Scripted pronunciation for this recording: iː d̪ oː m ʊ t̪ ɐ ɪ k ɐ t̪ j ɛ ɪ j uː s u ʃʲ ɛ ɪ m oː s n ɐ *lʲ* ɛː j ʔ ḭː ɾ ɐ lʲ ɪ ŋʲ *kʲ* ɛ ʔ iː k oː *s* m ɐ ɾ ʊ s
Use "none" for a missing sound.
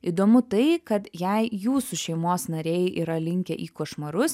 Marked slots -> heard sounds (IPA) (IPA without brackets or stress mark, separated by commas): ɾʲ, kʲ, ʃ